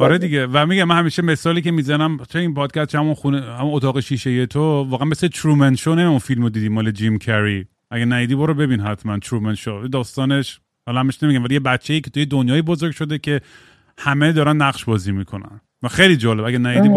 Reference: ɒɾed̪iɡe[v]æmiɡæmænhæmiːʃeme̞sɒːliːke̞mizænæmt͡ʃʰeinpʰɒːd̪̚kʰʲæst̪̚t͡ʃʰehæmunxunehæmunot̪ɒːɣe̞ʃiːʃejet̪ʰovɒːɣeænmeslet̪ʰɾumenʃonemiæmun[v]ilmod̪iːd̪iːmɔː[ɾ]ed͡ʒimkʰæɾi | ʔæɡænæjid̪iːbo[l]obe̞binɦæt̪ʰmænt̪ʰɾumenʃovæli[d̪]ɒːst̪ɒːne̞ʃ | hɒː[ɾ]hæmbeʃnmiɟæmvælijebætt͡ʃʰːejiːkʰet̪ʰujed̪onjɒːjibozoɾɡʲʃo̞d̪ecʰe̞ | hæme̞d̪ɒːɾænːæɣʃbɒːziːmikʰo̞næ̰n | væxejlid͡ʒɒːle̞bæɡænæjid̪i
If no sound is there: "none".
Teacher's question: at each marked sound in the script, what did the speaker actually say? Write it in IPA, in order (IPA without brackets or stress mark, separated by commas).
v, f, l, ɾ, d̪, l